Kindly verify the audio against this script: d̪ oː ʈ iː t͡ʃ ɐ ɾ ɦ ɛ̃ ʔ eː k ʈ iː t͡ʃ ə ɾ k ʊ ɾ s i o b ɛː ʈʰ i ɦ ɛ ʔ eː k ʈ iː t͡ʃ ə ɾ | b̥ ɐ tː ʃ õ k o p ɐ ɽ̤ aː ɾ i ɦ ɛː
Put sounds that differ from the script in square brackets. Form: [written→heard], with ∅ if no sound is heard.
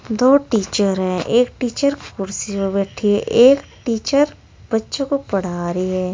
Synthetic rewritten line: d̪ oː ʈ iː t͡ʃ [ɐ→ə] ɾ ɦ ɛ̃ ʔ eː k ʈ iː t͡ʃ ə ɾ k ʊ ɾ s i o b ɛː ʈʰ i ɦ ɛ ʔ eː k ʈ iː t͡ʃ ə ɾ | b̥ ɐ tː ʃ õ k o p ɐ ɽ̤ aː ɾ i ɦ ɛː